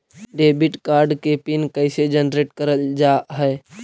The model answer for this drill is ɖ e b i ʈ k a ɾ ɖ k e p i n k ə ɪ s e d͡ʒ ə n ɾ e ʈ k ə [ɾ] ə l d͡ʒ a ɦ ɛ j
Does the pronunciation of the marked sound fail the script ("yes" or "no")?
no